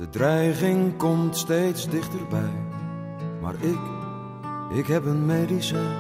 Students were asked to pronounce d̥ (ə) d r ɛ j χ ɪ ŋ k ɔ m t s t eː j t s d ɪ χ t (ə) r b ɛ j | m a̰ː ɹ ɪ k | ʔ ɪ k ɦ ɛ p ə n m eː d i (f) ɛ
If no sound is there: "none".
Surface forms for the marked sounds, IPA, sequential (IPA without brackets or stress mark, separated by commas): ə, ə, s